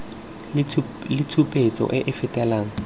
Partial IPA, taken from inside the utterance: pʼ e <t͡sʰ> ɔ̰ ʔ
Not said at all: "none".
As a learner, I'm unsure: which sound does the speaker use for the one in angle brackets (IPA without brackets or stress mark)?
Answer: t͡s